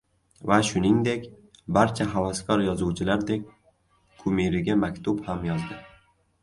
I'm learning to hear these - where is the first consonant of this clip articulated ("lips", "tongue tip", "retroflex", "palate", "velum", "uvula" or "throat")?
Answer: lips